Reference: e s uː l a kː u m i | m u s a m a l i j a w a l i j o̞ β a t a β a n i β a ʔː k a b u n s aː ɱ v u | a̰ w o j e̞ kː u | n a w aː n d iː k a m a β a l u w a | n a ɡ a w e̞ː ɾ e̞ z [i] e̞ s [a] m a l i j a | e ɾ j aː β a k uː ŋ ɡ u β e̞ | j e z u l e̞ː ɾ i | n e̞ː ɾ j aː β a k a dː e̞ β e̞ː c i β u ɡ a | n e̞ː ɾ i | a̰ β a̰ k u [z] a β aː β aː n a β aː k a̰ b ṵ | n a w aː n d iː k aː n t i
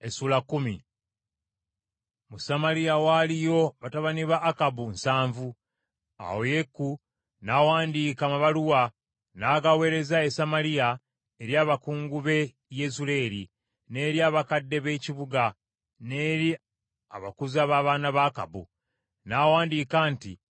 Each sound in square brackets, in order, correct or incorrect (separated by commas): incorrect, correct, correct